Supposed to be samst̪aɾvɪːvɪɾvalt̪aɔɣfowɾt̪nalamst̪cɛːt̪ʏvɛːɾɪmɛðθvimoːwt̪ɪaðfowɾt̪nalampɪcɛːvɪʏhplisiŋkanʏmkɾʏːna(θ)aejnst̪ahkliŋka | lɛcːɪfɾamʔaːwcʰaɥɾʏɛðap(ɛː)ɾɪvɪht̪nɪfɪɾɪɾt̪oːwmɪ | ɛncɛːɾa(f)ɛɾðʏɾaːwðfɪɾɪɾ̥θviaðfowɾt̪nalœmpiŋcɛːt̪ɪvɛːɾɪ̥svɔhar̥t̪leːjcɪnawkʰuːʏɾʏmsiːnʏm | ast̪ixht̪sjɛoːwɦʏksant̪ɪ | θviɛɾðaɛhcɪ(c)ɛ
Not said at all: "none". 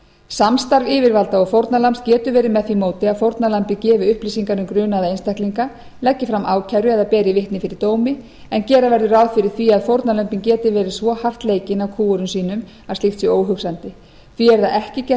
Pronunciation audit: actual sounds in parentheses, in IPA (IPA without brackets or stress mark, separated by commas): ð, ɛː, v, c